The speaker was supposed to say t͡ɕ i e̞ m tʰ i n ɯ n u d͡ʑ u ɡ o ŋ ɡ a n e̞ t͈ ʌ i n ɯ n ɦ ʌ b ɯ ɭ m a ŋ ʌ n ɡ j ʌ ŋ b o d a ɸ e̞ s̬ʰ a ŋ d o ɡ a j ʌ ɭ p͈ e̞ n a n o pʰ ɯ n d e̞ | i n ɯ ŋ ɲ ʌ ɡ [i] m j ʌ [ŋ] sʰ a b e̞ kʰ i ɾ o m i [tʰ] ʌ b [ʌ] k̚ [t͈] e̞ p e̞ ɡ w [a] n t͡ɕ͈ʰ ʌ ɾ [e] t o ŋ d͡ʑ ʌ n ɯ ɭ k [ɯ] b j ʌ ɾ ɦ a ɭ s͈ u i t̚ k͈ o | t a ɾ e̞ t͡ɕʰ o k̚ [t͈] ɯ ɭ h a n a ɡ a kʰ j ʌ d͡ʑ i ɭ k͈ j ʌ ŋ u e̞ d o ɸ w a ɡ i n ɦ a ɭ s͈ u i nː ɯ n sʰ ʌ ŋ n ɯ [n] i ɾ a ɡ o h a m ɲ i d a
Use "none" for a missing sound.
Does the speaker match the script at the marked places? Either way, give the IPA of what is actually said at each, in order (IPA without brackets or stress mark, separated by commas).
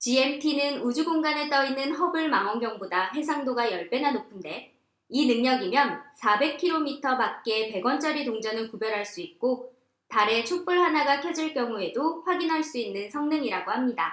i, n, tʰ, a, k͈, ʌ, i, u, p͈, ŋ